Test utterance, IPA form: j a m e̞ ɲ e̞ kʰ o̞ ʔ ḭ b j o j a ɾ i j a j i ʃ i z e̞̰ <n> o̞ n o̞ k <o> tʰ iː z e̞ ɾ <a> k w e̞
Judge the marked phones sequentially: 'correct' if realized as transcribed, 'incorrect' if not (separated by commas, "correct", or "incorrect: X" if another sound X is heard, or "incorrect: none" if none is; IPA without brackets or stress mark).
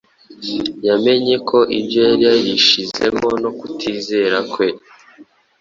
incorrect: m, incorrect: u, correct